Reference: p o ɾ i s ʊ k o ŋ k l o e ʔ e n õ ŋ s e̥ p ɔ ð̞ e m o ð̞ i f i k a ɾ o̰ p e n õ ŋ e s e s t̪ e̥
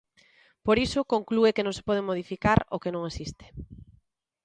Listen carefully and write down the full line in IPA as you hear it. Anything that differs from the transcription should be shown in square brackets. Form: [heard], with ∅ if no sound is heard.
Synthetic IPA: p o ɾ i s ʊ k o ŋ k l [u] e [k] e n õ ŋ s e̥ p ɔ ð̞ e m o ð̞ i f i k a ɾ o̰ [k] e n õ ŋ e s [i] s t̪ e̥